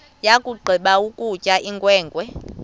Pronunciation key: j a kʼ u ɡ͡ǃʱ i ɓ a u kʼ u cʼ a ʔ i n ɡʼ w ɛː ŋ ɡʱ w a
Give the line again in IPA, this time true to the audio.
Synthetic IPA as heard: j a kʼ u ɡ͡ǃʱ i ɓ a u kʼ u cʼ a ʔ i ŋ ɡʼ w ɛː ŋ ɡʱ w ɛ